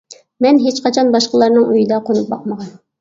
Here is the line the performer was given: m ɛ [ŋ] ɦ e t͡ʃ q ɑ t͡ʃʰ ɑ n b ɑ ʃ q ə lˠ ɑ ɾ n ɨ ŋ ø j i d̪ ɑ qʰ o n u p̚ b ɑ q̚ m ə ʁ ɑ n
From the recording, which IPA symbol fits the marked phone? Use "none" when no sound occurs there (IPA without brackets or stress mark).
n